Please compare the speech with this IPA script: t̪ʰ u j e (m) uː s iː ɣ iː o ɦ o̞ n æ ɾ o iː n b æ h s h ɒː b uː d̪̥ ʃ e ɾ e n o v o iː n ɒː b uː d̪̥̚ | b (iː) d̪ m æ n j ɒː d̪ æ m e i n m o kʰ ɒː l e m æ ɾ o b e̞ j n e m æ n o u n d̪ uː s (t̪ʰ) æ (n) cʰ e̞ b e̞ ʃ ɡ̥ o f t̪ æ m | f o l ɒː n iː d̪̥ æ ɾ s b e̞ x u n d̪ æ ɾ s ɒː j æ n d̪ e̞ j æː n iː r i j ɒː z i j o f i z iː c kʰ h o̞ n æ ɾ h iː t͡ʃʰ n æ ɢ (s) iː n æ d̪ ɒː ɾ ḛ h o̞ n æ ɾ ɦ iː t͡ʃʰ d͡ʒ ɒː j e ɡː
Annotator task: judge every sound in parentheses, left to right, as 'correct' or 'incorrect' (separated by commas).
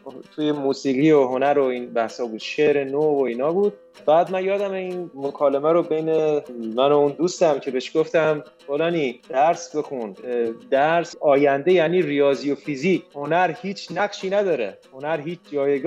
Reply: correct, incorrect, incorrect, incorrect, incorrect